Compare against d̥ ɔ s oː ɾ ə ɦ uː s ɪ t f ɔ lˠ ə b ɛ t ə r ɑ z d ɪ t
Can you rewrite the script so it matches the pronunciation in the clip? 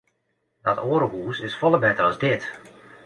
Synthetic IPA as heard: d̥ ɔ t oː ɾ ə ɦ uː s ɪ s f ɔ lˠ ə b ɛ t ə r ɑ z d ɪ t